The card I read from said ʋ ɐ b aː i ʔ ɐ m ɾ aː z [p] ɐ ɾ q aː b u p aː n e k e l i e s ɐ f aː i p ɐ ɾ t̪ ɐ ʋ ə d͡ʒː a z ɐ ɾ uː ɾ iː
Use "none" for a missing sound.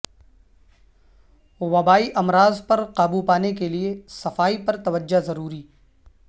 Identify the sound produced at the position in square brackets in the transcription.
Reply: p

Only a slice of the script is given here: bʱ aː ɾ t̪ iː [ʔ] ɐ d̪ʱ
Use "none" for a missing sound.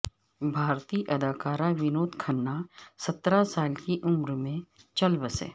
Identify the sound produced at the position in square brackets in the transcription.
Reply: ʔ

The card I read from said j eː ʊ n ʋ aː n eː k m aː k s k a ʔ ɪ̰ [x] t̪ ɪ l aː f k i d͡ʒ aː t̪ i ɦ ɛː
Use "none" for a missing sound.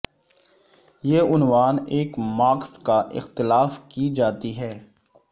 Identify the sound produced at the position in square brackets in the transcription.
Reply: x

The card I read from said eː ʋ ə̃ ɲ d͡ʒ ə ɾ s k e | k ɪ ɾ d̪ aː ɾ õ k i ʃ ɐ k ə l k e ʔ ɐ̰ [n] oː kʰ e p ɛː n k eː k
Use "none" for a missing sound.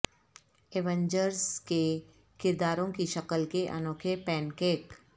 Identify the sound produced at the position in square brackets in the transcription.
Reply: n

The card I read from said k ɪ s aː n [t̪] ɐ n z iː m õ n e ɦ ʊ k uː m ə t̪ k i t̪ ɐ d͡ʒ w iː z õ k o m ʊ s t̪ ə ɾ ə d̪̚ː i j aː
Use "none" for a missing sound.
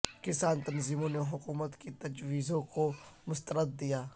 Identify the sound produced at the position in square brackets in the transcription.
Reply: t̪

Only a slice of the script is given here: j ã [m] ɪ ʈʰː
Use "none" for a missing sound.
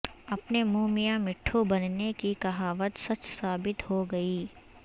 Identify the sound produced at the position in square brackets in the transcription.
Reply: m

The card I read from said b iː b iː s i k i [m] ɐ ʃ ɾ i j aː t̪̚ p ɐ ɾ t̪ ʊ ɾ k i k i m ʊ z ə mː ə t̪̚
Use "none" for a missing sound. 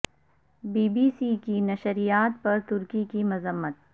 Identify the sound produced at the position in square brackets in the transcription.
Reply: n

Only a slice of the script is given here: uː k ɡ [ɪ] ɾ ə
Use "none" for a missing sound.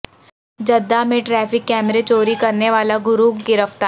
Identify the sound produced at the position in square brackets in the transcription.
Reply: ɪ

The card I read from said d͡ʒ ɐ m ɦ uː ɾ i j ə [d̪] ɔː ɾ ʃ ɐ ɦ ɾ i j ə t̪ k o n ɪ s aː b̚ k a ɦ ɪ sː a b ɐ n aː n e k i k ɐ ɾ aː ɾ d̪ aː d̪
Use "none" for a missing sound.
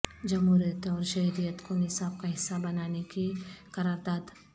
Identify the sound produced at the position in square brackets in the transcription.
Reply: t̪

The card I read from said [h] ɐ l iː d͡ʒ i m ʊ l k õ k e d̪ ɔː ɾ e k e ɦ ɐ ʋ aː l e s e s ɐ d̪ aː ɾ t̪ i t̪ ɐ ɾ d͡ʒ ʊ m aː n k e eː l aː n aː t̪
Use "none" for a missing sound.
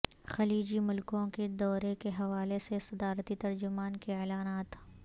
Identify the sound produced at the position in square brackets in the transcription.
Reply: x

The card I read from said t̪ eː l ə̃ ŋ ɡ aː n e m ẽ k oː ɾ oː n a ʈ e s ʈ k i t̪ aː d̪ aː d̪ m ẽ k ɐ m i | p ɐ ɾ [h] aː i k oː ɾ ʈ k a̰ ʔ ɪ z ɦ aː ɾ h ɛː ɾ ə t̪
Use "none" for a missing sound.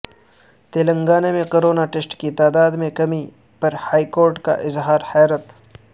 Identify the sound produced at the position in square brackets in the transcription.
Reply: h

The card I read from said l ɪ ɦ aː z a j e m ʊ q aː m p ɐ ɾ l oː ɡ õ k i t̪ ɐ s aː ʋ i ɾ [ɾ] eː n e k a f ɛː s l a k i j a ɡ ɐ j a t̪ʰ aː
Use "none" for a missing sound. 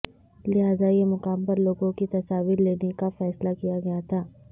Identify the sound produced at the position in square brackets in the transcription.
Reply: l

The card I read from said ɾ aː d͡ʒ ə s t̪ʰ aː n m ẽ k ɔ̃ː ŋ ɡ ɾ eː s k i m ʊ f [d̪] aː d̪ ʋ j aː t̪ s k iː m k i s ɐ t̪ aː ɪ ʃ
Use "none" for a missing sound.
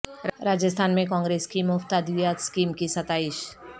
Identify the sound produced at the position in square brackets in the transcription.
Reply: t̪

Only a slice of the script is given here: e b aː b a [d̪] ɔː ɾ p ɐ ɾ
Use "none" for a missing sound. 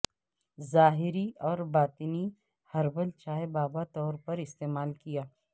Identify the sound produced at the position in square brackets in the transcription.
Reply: t̪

